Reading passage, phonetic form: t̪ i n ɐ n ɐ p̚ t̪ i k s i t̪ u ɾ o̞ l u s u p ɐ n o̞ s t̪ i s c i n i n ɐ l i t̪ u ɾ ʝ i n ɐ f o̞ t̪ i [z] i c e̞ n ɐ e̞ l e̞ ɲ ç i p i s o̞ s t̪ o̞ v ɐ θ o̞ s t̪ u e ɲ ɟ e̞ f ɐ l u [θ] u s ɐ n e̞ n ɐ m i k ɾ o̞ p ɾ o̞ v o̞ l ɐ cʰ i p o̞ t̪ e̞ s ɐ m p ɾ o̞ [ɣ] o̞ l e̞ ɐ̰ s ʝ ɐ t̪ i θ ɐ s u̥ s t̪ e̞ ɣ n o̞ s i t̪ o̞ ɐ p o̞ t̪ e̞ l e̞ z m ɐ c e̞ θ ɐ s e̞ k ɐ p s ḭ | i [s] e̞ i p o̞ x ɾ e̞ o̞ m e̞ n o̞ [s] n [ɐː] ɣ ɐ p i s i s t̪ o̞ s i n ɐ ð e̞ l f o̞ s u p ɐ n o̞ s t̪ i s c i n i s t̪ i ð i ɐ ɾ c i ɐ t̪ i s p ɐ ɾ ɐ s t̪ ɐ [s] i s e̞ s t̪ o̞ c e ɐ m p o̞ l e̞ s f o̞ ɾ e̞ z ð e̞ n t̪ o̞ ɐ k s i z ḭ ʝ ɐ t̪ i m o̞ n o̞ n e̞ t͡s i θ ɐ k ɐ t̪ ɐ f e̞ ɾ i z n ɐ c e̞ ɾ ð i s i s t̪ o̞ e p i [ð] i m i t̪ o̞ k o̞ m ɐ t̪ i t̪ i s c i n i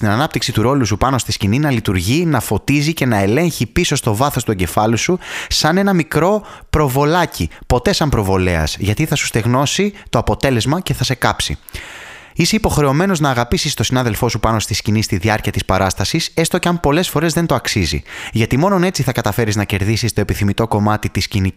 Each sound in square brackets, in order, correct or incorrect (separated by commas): correct, incorrect, incorrect, correct, incorrect, correct, correct, incorrect